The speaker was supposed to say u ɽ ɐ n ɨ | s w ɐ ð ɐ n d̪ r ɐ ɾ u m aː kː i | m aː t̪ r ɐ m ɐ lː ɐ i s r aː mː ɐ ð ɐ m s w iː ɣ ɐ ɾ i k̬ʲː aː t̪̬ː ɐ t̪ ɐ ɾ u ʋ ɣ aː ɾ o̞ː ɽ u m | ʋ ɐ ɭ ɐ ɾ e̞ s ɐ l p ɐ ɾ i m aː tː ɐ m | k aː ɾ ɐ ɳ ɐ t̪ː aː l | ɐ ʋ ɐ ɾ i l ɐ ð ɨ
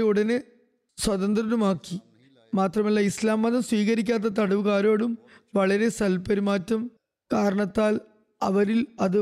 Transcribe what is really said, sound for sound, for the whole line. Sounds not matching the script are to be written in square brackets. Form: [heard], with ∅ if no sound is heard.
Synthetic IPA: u ɽ ɐ n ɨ | s w ɐ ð ɐ n d̪ r ɐ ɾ u m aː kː i | m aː t̪ r ɐ m ɐ lː ɐ i s [l] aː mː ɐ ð ɐ m s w iː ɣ ɐ ɾ i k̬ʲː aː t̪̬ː ɐ t̪ ɐ [ɽ] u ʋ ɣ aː ɾ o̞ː ɽ u m | ʋ ɐ ɭ ɐ ɾ e̞ s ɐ l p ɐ ɾ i m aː tː ɐ m | k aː ɾ ɐ ɳ ɐ t̪ː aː l | ɐ ʋ ɐ ɾ i l ɐ ð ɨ